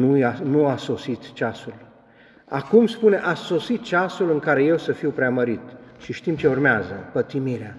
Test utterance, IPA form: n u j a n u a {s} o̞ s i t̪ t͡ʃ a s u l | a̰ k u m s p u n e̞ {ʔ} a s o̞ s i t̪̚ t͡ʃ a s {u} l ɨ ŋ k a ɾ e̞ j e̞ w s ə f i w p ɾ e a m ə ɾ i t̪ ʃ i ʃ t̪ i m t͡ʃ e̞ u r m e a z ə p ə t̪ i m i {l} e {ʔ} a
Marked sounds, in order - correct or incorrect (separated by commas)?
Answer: correct, correct, correct, incorrect, incorrect